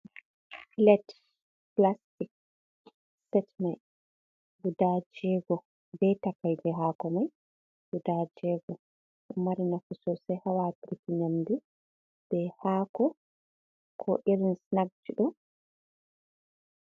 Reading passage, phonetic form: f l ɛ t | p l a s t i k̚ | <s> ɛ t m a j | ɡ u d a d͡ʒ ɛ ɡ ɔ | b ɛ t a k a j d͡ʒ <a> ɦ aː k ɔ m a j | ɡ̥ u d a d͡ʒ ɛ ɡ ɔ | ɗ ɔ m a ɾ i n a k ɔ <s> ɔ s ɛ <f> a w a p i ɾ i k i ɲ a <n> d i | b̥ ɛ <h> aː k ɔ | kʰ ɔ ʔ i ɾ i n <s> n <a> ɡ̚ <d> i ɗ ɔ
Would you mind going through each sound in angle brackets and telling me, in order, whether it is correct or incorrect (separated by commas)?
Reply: correct, incorrect, correct, incorrect, incorrect, correct, correct, correct, incorrect